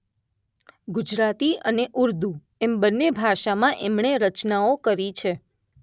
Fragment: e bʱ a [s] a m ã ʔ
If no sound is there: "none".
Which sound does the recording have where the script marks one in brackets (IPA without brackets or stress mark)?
ʃ